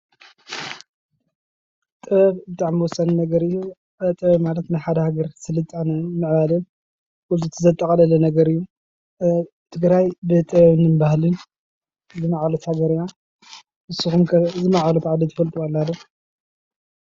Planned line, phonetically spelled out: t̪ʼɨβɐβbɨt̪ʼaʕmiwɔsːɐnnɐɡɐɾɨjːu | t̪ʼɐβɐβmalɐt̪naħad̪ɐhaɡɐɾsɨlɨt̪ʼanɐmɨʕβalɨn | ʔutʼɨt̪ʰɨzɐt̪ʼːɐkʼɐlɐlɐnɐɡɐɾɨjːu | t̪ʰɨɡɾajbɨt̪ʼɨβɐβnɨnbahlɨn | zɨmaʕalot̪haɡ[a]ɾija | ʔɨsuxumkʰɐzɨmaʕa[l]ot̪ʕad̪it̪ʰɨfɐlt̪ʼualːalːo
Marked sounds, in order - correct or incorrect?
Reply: incorrect, correct

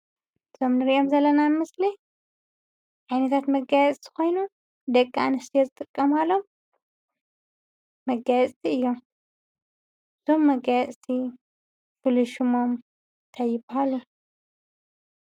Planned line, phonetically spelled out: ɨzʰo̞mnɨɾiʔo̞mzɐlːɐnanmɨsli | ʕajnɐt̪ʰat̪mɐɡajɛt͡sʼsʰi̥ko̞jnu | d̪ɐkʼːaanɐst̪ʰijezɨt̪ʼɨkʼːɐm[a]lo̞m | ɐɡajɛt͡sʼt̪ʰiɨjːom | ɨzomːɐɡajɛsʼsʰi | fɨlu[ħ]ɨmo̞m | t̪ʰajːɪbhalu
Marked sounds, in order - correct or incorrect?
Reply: correct, incorrect

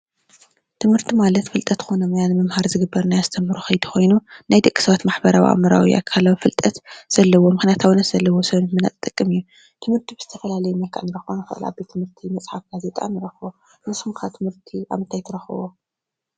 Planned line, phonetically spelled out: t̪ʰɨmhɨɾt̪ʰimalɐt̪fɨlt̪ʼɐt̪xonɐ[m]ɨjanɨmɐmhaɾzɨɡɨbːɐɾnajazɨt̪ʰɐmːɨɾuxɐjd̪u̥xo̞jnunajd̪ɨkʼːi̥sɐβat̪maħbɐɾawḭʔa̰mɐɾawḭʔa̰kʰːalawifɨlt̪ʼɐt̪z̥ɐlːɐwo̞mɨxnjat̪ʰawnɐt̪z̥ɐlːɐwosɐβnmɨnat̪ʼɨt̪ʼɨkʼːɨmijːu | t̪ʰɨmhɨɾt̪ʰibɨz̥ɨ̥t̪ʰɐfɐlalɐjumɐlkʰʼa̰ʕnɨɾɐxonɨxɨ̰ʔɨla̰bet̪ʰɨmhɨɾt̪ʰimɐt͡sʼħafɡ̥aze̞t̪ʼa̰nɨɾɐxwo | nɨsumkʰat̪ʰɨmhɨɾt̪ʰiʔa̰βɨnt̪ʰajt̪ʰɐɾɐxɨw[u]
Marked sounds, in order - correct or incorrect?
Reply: correct, incorrect

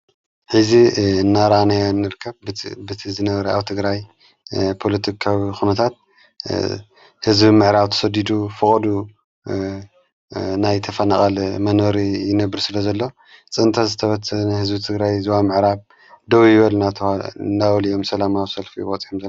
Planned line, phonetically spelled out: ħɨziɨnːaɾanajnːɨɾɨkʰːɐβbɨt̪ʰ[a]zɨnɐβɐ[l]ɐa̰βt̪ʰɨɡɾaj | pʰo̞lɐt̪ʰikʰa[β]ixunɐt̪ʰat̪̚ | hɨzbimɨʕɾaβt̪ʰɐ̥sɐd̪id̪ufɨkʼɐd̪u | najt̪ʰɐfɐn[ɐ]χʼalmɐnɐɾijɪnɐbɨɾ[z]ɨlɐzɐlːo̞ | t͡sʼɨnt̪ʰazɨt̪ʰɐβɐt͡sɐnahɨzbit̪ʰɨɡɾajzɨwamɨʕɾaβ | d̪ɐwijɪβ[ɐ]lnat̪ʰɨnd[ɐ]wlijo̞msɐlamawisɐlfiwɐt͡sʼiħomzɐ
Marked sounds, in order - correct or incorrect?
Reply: incorrect, incorrect, incorrect, incorrect, incorrect, correct, incorrect

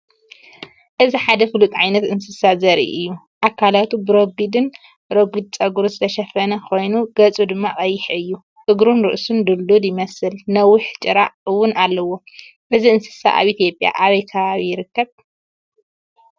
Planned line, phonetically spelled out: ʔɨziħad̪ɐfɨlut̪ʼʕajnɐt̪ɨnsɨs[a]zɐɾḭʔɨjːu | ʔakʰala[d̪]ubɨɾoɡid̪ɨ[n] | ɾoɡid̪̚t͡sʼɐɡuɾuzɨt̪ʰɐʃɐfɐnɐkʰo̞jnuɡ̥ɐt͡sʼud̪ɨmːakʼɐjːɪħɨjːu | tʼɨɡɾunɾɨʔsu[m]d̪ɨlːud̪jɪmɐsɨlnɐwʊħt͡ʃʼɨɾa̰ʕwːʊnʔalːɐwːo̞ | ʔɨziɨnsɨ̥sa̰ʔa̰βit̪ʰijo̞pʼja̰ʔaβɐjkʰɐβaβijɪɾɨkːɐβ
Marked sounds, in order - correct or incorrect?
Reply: correct, incorrect, correct, incorrect

